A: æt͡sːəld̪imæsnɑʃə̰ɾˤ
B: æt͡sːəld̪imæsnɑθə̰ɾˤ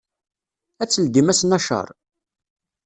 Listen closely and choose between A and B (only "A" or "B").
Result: A